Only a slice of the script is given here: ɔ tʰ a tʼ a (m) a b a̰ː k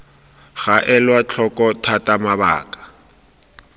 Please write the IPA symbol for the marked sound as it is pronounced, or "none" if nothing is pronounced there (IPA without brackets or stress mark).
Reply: m